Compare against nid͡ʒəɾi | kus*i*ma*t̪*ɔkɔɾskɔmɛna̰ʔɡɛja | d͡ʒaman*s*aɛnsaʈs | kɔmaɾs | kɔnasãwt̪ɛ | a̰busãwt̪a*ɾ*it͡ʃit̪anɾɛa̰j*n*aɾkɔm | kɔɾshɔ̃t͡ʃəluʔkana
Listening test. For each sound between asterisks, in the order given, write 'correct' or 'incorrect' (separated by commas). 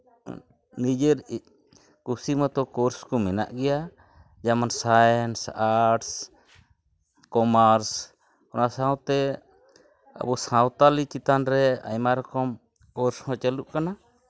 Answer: correct, correct, correct, incorrect, incorrect